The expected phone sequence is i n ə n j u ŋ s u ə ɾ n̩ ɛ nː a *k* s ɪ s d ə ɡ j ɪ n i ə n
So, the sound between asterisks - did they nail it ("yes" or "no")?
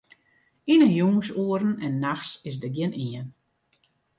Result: no